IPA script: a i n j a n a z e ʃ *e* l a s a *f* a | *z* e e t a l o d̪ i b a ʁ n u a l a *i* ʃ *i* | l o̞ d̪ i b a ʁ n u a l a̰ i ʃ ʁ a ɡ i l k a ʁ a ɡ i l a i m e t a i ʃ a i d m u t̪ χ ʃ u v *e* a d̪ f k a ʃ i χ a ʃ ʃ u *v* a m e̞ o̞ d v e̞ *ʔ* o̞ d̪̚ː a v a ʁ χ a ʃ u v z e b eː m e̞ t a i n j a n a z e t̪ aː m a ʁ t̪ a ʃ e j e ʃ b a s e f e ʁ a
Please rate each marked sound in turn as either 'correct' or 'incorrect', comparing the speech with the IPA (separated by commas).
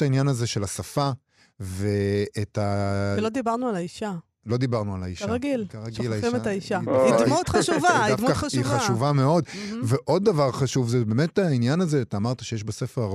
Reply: correct, correct, incorrect, correct, incorrect, incorrect, correct, correct